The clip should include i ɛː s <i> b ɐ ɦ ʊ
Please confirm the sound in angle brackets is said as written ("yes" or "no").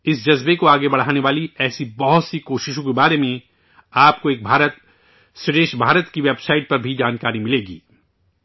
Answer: yes